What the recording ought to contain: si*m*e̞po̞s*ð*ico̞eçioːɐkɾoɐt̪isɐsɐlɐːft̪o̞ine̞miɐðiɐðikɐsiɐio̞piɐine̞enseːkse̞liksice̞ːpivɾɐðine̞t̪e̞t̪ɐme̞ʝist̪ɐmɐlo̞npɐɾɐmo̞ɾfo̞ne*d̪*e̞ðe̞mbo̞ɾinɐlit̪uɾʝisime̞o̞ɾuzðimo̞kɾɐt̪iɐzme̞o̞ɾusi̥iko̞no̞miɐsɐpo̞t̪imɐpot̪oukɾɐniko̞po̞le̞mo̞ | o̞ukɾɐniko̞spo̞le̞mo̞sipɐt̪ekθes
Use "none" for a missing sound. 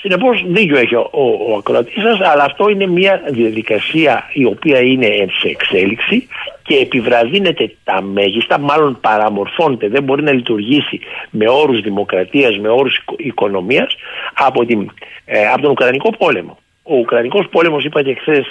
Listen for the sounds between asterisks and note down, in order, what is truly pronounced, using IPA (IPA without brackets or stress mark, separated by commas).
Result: n, ð, t̪